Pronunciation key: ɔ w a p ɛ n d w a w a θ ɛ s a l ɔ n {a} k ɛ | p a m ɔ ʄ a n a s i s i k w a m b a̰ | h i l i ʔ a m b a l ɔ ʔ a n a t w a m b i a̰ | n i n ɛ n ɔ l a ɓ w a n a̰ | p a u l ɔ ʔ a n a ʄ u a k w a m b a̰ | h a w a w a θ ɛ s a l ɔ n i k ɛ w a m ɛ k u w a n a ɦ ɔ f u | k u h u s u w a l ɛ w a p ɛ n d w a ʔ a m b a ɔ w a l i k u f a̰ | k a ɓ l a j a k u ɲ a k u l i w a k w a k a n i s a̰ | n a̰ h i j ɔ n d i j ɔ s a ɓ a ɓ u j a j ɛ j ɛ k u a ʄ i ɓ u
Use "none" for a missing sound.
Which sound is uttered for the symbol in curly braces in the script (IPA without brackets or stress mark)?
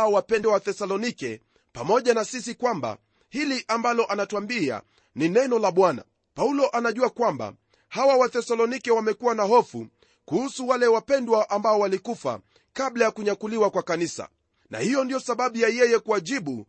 i